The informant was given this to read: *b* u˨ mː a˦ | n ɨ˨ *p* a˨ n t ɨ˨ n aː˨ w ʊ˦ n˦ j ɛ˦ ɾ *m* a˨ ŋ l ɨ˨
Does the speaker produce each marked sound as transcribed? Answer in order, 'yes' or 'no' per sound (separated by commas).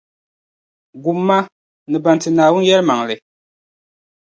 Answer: no, no, yes